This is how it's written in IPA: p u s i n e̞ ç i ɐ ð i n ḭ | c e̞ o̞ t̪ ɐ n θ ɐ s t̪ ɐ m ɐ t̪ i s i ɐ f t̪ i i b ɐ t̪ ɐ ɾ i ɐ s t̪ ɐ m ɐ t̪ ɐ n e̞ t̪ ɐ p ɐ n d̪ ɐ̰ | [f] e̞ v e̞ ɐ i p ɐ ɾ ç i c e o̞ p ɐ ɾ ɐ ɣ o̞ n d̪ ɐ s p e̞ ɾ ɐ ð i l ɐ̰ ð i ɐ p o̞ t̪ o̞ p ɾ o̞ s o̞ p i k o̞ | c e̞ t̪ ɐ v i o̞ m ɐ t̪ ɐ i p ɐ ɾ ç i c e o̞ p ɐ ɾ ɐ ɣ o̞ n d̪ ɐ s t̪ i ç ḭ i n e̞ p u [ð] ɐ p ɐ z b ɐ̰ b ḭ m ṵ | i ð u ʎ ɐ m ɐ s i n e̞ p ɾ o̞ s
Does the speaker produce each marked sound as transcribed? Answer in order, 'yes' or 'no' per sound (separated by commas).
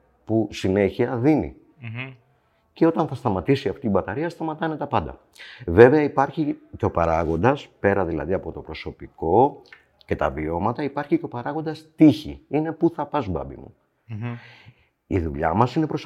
no, no